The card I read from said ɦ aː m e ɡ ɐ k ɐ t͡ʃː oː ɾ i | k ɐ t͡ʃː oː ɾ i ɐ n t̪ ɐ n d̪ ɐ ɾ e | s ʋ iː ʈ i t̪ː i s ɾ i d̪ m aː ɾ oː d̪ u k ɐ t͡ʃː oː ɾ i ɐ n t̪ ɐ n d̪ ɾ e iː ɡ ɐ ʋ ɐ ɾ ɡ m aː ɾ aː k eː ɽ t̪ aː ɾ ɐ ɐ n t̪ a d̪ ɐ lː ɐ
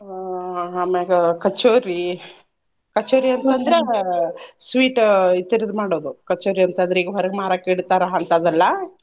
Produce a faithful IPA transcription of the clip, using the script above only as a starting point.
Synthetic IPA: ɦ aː m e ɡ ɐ k ɐ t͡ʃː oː ɾ i | k ɐ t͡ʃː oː ɾ i ɐ n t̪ ɐ n d̪ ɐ ɾ e | s ʋ iː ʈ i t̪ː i ɾ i d̪ m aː ɽ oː d̪ u k ɐ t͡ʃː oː ɾ i ɐ n t̪ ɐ n d̪ ɾ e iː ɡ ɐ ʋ ɐ ɾ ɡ m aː ɾ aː k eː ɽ t̪ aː ɾ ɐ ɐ n t̪ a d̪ ɐ lː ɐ